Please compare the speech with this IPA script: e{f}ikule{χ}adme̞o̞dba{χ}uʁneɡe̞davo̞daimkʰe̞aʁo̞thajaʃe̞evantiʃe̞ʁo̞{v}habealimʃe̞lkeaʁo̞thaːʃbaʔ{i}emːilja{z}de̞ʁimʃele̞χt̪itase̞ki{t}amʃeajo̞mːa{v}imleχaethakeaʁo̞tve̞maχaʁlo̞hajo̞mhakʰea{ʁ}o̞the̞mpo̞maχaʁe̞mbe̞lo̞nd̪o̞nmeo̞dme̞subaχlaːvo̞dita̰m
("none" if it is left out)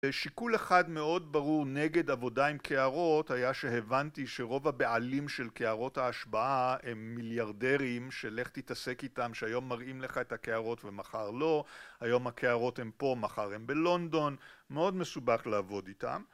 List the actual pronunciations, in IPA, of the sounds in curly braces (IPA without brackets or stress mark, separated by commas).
ʃ, χ, ʁ, v, a, ʁ, t, ʁ, ʁ